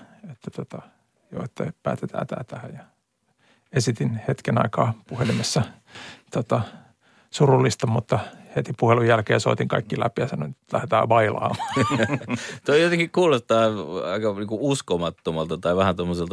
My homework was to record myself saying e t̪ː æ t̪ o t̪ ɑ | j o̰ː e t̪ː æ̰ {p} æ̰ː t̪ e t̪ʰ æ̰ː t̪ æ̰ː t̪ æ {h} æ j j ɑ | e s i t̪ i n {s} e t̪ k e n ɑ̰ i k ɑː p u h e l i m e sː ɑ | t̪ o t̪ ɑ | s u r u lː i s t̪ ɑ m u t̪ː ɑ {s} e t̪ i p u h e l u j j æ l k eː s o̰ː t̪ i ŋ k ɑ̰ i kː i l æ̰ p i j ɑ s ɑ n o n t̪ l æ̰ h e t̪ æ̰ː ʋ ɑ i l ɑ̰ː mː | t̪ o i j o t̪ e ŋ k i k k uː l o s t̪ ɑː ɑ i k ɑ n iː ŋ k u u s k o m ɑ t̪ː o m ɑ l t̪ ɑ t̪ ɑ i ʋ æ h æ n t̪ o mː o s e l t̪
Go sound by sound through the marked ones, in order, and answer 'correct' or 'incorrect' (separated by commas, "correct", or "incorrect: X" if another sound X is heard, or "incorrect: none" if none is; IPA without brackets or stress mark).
correct, correct, incorrect: h, incorrect: h